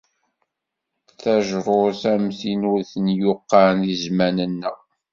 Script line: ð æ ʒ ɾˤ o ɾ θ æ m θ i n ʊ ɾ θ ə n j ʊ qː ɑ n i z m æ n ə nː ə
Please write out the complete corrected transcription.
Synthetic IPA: θ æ ʒ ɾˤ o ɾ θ æ m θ i n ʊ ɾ θ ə n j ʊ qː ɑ n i z m æ n ə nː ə